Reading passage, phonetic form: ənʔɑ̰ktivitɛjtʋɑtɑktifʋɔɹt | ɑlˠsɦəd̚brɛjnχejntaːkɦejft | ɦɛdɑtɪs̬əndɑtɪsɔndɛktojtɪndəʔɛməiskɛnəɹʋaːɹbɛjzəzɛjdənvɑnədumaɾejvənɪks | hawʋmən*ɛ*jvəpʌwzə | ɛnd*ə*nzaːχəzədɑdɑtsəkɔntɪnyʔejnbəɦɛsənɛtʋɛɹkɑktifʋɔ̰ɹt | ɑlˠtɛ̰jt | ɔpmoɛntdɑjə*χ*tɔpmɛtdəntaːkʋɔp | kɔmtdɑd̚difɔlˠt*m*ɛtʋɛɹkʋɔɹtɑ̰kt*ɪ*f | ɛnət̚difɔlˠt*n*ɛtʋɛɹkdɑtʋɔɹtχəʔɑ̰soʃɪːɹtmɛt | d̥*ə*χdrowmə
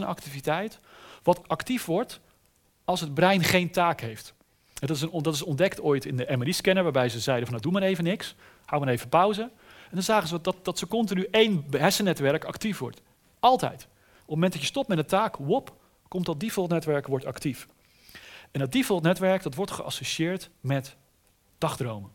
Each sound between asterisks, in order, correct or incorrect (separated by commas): incorrect, incorrect, incorrect, incorrect, incorrect, correct, incorrect